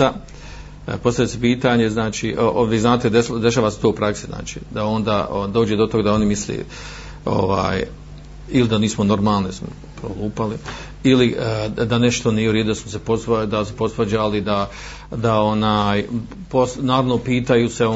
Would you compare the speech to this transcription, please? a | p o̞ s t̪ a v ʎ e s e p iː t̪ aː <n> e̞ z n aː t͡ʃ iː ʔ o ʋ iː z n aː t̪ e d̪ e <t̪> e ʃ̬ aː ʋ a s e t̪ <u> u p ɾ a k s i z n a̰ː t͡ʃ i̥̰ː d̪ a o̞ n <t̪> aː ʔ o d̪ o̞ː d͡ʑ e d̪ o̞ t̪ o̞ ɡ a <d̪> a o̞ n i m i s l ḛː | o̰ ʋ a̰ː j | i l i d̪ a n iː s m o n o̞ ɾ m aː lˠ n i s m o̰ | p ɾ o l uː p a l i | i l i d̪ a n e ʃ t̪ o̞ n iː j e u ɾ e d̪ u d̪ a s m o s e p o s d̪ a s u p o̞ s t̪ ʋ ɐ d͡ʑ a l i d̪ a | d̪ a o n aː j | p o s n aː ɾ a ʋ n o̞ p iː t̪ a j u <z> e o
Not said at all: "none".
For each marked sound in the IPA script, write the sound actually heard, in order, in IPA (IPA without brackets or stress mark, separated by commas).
ɲ, d̪, o, d̪, d̪, s